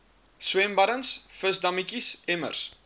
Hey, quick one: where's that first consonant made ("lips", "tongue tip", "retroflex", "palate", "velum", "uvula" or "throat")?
tongue tip